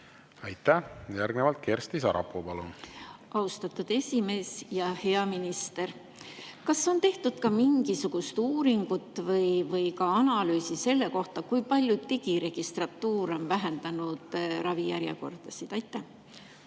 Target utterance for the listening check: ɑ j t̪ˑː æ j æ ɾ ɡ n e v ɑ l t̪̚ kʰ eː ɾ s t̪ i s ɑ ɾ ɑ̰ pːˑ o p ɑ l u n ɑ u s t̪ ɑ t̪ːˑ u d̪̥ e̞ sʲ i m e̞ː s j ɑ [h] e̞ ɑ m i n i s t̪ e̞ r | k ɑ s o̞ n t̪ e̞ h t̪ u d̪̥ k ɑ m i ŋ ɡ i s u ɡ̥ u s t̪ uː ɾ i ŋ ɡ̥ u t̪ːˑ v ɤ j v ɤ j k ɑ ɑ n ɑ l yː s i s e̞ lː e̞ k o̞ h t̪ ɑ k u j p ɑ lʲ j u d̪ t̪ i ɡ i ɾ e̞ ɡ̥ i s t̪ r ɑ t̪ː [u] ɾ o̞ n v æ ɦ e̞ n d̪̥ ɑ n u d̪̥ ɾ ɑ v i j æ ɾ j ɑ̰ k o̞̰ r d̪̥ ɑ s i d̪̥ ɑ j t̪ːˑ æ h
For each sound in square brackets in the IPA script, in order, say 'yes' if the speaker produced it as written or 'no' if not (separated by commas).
yes, no